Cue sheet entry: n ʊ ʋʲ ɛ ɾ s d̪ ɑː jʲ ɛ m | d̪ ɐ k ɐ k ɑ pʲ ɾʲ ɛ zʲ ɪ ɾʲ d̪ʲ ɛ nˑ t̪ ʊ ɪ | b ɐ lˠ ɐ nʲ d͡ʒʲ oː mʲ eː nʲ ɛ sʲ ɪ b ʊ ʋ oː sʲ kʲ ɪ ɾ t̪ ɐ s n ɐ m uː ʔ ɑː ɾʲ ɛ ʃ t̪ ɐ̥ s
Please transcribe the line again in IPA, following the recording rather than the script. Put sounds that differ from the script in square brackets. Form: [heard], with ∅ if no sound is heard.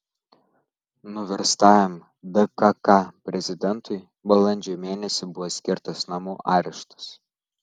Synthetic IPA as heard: n ʊ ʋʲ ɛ ɾ s [t̪] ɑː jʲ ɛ m | d̪ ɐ k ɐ k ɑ pʲ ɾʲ ɛ zʲ ɪ [∅] d̪ʲ ɛ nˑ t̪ ʊ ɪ | b ɐ lˠ ɐ nʲ d͡ʒʲ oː mʲ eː nʲ ɛ sʲ ɪ b ʊ ʋ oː sʲ kʲ ɪ ɾ t̪ ɐ s n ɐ m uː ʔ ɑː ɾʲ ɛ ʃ t̪ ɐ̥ s